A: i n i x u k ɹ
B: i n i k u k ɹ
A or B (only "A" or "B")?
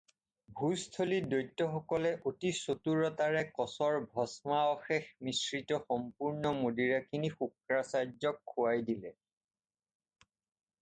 A